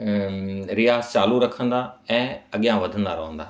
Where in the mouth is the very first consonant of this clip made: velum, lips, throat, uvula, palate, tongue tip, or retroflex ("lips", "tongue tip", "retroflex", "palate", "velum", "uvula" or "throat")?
tongue tip